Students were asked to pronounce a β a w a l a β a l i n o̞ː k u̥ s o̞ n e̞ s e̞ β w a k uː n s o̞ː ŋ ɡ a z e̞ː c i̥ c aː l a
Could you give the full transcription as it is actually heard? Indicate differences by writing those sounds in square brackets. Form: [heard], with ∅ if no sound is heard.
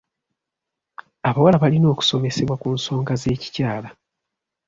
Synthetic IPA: a β a w a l a β a l i n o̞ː k u̥ s o̞ [m] e̞ s e̞ β w a k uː n s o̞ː ŋ ɡ a z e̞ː c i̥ c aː l a